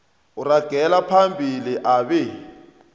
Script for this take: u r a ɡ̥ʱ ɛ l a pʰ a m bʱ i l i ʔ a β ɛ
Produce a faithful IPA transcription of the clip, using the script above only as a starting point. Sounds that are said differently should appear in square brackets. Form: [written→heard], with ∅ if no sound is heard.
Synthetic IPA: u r a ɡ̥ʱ ɛ l a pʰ a m bʱ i l i ʔ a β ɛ